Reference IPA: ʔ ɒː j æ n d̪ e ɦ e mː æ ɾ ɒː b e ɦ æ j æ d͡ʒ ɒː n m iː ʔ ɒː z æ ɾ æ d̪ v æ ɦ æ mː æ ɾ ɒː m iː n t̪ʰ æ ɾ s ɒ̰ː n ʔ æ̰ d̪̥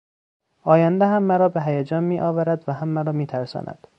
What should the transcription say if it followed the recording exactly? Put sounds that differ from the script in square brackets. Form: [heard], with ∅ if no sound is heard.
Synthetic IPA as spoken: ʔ ɒː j æ n d̪ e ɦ [æ] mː æ ɾ ɒː b e ɦ æ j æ d͡ʒ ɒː n m iː ʔ ɒː [v] æ ɾ æ d̪ v æ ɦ æ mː æ ɾ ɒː m iː [∅] t̪ʰ æ ɾ s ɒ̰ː n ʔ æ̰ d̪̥